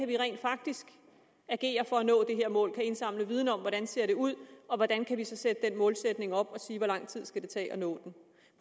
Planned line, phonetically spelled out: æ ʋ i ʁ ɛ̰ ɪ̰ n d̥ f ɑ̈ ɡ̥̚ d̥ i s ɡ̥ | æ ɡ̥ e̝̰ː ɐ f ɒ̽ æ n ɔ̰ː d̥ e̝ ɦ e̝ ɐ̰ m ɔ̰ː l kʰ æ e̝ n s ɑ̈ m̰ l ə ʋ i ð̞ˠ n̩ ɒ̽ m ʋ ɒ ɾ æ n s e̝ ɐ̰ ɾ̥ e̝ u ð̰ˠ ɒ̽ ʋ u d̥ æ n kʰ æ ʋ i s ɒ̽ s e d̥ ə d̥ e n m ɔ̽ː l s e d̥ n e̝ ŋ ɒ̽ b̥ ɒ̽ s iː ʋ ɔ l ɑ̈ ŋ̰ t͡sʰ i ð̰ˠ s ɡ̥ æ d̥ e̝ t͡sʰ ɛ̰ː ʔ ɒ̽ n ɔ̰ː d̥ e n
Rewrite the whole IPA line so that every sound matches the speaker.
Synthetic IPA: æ ʋ i ʁ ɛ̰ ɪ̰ n d̥ f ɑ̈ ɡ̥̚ d̥ i s ɡ̥ | æ ɡ̥ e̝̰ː ɐ f ɒ̽ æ n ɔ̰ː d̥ e̝ ɦ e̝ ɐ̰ m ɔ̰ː l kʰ æ e̝ n s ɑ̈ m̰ l ə ʋ i ð̞ˠ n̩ ɒ̽ m ʋ ɒ ɾ æ n s e̝ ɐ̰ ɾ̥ e̝ u ð̰ˠ ɒ̽ ʋ ɒ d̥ æ n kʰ æ ʋ i s ɒ̽ s e d̥ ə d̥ e n m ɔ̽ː l s e d̥ n e̝ ŋ ɒ̽ b̥ ɒ̽ s iː ʋ ɒ l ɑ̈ ŋ̰ t͡sʰ i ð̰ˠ s ɡ̥ æ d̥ e̝ t͡sʰ ɛ̰ː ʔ ɒ̽ n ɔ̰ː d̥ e n